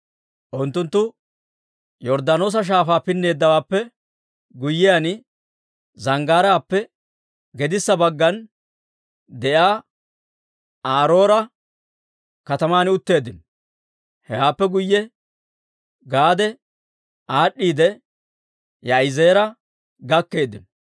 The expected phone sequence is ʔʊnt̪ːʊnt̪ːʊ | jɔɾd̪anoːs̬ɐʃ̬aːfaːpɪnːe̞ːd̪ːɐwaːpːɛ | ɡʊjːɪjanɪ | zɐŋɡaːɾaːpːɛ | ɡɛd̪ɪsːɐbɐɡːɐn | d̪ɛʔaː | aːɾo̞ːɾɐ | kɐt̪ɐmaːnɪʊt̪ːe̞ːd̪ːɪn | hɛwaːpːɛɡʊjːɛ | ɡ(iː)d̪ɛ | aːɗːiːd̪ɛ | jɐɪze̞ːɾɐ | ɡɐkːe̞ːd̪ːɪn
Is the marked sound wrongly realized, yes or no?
yes